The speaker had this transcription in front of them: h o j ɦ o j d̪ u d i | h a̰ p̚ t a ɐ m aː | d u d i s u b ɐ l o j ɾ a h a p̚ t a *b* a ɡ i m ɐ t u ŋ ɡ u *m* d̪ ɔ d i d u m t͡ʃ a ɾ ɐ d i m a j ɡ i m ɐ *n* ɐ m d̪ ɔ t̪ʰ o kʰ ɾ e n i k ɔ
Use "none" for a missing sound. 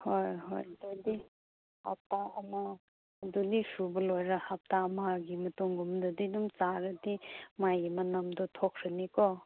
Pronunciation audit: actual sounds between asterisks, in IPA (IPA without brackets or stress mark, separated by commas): m, m, n